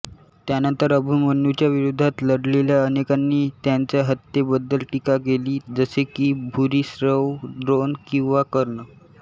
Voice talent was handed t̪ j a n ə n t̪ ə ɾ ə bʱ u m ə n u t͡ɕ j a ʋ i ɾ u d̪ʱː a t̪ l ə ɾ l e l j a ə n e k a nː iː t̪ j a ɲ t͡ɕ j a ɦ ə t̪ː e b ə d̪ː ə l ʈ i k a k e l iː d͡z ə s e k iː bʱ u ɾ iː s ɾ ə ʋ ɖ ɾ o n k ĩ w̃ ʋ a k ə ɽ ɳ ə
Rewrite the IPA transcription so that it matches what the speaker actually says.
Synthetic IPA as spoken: t̪ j a n ə n t̪ ə ɾ ə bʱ u m ə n u t͡ɕ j a ʋ i ɾ u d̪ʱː a t̪ l ə ɽ l e l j a ə n e k a nː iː t̪ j a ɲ t͡ɕ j a ɦ ə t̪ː e b ə d̪ː ə l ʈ i k a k e l iː d͡z ə s e k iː bʱ u ɾ iː s ɾ ə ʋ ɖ ɾ o n k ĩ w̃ ʋ a k ə ɾ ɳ ə